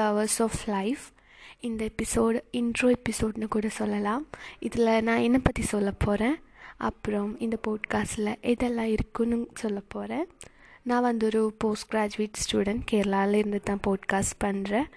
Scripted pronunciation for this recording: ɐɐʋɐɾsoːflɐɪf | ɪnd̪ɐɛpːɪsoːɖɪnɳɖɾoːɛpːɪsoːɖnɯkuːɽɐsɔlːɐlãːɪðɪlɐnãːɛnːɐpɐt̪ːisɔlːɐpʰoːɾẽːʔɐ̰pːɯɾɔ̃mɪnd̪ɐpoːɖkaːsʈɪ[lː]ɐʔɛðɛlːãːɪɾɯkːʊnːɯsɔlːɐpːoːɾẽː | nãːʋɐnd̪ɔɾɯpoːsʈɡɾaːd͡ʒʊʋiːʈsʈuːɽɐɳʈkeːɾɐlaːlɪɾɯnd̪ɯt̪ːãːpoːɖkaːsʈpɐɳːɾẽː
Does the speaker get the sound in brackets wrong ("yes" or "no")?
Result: yes